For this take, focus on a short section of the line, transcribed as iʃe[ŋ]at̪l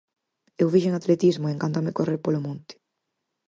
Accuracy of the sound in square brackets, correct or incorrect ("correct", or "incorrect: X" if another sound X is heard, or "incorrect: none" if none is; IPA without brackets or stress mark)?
correct